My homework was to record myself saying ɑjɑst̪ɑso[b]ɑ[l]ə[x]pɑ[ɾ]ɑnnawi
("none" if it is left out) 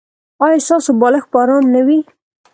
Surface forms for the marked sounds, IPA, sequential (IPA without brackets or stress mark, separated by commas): b, l, x, ɾ